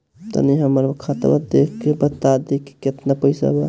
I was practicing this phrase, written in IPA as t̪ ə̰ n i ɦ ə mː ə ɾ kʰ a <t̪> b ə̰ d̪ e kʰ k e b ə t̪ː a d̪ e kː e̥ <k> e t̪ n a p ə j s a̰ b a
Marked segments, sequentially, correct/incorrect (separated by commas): correct, correct